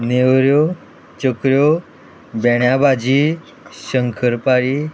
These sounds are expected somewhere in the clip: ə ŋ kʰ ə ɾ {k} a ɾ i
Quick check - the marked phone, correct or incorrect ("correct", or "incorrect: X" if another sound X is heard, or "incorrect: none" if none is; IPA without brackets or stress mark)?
incorrect: p